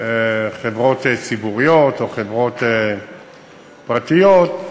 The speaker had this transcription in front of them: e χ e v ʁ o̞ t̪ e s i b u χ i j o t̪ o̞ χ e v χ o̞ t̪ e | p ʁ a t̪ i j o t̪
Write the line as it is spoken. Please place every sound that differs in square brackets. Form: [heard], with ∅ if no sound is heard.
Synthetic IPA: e χ e v ʁ o̞ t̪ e [t͡s] i b u [ʁ] i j o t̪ o̞ χ e v [ʁ] o̞ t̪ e | p ʁ a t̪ i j o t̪